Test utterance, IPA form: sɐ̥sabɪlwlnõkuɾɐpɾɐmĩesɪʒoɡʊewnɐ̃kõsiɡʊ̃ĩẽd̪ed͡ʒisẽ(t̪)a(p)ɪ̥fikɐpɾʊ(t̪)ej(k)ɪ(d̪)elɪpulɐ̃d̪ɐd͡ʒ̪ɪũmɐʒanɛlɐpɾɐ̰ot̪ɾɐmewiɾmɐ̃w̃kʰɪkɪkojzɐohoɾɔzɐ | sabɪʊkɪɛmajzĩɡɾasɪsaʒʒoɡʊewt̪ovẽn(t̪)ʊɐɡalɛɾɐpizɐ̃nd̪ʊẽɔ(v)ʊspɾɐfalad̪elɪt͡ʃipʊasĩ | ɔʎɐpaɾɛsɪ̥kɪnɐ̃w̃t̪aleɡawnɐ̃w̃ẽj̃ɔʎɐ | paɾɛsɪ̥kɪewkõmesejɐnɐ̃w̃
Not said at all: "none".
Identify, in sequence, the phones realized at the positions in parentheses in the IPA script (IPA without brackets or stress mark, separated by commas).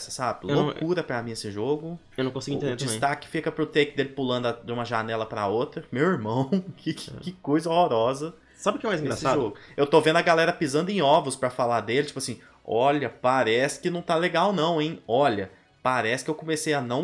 t̪, k, t̪, k, d̪, d̪, v